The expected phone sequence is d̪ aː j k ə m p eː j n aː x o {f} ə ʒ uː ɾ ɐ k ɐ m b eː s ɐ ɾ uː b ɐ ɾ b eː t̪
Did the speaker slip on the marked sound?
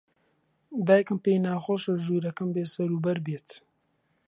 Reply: yes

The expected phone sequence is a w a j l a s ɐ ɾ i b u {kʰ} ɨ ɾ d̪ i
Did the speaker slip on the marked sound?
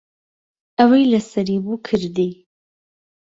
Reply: no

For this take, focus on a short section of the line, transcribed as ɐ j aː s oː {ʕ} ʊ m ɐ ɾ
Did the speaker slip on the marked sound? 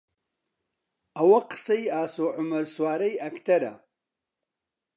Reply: no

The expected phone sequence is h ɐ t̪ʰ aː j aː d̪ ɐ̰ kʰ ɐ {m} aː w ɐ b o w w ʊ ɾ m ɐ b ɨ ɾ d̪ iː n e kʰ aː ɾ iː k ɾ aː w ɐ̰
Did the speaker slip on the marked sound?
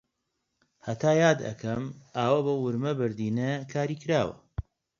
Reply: no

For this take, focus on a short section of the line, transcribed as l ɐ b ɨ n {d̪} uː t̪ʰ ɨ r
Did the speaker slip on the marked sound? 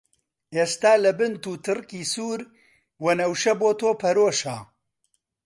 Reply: yes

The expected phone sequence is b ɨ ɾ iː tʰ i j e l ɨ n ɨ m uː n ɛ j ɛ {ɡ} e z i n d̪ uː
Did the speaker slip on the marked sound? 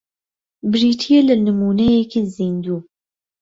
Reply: yes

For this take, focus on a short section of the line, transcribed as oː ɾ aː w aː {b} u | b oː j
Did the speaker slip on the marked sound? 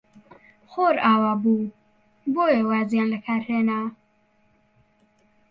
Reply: no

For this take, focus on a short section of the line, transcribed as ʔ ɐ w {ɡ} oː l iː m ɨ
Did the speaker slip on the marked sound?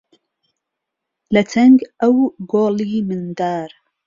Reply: no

